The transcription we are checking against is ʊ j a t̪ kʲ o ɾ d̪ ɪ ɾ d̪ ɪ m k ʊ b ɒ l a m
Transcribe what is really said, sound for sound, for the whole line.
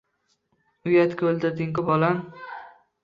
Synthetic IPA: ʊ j a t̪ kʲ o l d̪ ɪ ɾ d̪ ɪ ŋ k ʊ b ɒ l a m

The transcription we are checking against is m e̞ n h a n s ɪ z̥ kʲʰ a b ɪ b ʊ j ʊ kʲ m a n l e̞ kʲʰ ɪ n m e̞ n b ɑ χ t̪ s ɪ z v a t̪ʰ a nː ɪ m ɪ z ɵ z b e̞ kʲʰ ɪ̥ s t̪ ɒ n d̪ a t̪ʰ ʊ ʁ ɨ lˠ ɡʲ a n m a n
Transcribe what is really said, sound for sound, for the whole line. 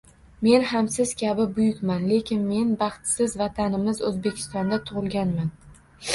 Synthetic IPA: m e̞ n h a m s ɪ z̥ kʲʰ a b ɪ b ʊ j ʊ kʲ m a n l e̞ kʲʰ ɪ n m e̞ n b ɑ χ t̪ s ɪ z v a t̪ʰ a n ɪ m ɪ z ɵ z b e̞ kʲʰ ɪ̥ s t̪ ɒ n d̪ a t̪ʰ ʊ ʁ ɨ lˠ ɡʲ a n m a n

